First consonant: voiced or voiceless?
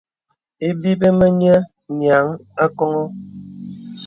voiced